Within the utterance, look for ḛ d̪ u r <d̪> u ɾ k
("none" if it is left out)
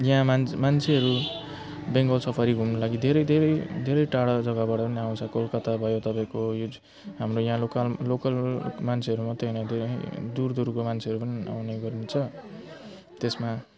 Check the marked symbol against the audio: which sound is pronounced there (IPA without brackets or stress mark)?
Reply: d̪